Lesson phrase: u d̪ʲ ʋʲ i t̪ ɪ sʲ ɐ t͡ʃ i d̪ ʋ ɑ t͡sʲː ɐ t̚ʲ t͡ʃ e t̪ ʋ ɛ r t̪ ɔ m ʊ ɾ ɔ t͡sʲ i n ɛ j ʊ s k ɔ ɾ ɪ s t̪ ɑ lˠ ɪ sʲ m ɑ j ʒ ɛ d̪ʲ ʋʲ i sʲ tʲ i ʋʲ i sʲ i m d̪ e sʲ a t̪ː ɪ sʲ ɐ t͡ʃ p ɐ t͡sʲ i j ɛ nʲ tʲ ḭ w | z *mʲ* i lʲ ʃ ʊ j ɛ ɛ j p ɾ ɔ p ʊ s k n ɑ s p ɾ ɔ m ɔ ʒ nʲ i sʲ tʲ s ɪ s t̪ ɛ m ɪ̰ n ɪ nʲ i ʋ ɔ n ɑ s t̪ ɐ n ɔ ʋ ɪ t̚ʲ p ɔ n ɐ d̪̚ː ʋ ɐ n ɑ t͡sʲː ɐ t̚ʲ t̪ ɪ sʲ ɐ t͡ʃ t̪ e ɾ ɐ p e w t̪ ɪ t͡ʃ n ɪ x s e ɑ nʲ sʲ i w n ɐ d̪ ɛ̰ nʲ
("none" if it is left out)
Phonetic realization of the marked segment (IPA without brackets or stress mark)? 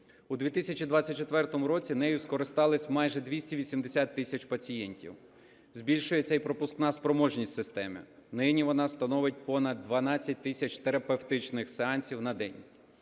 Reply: bʲ